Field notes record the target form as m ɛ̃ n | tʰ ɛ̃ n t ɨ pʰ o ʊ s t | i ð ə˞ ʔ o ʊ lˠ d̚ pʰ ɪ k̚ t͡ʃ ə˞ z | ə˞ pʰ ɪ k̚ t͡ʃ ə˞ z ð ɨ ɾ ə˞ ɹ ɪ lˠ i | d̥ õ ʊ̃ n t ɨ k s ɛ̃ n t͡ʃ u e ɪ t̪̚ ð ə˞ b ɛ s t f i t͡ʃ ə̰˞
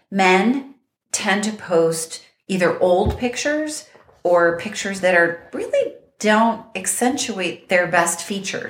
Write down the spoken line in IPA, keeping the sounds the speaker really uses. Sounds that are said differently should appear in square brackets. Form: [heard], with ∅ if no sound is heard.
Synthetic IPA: m ɛ̃ n | tʰ ɛ̃ n t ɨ pʰ o ʊ s t | i ð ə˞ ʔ o ʊ lˠ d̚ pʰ ɪ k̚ t͡ʃ ə˞ z | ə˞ pʰ ɪ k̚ t͡ʃ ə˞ z ð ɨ ɾ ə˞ ɹ ɪ lˠ i | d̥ õ ʊ̃ n t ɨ k s ɛ̃ n t͡ʃ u e ɪ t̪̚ ð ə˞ b ɛ s t f i t͡ʃ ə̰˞